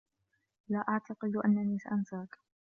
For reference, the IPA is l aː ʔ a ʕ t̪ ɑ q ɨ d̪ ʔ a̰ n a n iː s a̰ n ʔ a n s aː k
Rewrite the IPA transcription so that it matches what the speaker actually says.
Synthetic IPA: l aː ʔ a ʕ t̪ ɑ q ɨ d̪ ʔ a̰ nː a n iː s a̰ ʔ a n s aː k